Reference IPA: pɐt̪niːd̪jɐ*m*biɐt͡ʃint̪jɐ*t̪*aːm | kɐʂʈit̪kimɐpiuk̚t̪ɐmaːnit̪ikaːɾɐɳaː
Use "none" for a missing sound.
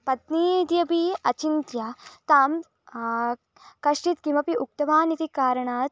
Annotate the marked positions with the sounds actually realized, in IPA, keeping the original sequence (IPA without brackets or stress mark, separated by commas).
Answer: none, t̪